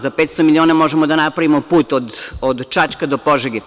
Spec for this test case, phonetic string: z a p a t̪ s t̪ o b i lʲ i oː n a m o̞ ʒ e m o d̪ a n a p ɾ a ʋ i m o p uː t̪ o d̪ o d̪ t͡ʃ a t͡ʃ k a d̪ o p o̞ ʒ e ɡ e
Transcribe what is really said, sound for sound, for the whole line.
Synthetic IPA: z a p e t̪ s t̪ o m i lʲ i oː n a m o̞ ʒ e m o d̪ a n a p ɾ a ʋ i m o p uː t̪ o d̪ o d̪ t͡ʃ a t͡ʃ k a d̪ o p o̞ ʒ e ɡ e